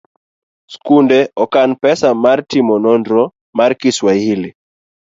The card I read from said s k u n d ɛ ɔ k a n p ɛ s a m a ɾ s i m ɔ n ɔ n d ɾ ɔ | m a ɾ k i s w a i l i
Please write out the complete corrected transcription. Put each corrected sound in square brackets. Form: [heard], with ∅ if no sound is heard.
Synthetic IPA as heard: s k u n d ɛ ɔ k a n p ɛ s a m a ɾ [t] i m ɔ n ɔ n d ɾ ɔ | m a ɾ k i s w a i l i